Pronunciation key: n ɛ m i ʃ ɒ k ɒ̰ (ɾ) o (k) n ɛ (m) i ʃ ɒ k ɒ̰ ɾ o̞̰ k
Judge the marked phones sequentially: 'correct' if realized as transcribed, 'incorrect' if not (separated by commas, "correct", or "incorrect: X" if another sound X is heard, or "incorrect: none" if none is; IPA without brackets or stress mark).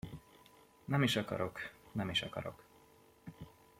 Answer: correct, correct, correct